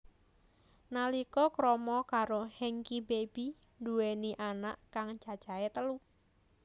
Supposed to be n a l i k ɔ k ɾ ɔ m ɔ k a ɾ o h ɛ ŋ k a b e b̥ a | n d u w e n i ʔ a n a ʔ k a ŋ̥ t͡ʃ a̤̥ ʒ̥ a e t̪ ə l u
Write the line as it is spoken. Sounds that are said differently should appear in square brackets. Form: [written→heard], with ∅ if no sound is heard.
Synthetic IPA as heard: n a l i k ɔ k ɾ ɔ m ɔ k a ɾ o h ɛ ŋ k [a→i] b e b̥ [a→i] | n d u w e n i ʔ a n a ʔ k a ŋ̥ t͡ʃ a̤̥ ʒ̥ a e t̪ ə l u